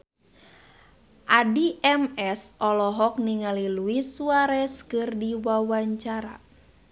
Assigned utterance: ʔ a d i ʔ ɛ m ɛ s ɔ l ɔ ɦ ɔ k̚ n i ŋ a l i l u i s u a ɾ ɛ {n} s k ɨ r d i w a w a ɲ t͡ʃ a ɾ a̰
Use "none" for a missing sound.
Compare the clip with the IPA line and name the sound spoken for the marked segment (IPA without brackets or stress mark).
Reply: none